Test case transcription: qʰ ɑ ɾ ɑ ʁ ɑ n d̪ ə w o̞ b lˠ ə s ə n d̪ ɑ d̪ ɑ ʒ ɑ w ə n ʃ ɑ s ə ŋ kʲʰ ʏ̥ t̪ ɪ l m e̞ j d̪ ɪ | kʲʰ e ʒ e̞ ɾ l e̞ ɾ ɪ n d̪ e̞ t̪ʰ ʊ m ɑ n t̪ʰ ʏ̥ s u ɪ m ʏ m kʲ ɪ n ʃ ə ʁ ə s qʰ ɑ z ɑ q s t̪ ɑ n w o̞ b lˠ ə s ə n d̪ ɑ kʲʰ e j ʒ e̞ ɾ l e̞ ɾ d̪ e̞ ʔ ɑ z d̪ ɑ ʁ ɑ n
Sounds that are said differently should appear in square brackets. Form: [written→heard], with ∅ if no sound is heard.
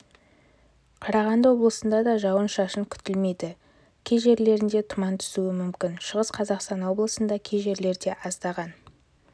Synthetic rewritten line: qʰ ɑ ɾ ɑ ʁ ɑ n d̪ ə w o̞ b lˠ ə s ə n d̪ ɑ d̪ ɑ ʒ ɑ w ə n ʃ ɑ [s→ʃ] ə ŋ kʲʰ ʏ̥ t̪ ɪ l m e̞ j d̪ ɪ | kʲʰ e ʒ e̞ ɾ l e̞ ɾ ɪ n d̪ e̞ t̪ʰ ʊ m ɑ n t̪ʰ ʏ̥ s u ɪ m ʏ m kʲ ɪ n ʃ ə ʁ ə s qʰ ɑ z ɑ q s t̪ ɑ n w o̞ b lˠ ə s ə n d̪ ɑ kʲʰ e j ʒ e̞ ɾ l e̞ ɾ d̪ e̞ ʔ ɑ z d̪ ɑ ʁ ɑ n